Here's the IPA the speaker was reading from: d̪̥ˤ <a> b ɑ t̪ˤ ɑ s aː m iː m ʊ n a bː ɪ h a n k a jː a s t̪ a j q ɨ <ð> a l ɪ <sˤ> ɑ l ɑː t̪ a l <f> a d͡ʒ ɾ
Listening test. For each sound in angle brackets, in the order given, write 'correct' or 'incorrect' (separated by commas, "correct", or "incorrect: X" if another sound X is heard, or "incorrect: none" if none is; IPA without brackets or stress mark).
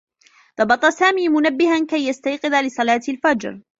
incorrect: ɑ, correct, correct, correct